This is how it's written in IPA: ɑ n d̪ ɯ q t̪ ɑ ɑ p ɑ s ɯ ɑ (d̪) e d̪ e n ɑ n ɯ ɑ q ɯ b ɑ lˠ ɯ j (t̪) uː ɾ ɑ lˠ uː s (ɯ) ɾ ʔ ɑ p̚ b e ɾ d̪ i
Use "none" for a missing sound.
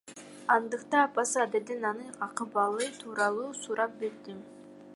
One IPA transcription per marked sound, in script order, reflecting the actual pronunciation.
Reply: d̪, t̪ʰ, u

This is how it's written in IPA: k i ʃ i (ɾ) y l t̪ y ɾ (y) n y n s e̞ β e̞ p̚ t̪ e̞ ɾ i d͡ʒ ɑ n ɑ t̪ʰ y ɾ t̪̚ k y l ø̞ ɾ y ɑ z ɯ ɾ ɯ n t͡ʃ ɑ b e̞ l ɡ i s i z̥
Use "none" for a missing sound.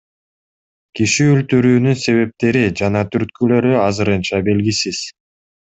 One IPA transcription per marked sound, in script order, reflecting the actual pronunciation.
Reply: none, yː

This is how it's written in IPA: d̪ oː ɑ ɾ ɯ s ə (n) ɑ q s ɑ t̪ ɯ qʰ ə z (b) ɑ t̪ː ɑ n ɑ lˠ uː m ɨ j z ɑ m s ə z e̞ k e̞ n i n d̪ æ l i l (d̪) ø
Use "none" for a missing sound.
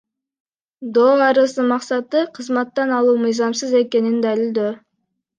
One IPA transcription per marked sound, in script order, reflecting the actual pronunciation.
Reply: m, m, d̪

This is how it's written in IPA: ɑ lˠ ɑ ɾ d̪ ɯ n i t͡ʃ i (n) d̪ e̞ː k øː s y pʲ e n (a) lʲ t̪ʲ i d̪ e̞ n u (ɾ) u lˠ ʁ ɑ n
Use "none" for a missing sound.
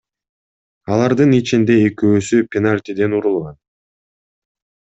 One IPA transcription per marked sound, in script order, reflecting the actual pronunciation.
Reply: n, a, ɾ

